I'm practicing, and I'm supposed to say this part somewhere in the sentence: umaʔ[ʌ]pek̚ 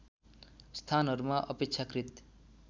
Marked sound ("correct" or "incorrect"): correct